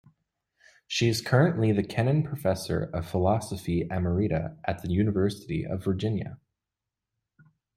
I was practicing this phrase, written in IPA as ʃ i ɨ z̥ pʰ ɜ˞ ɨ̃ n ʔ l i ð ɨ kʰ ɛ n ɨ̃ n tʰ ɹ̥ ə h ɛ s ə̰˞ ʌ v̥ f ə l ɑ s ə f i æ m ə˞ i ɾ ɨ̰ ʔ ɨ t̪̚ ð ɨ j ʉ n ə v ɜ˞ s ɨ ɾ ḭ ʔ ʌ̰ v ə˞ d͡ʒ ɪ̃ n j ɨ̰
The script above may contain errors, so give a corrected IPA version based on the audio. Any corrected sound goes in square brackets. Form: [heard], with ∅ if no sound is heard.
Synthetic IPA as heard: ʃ i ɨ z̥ [kʰ] ɜ˞ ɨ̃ n ʔ l i ð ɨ kʰ ɛ n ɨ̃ n [pʰ] ɹ̥ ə [f] ɛ s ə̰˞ ʌ v̥ f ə l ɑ s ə f i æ m ə˞ i ɾ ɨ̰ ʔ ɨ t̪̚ ð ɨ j ʉ n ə v ɜ˞ s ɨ ɾ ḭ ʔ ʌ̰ v ə˞ d͡ʒ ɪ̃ n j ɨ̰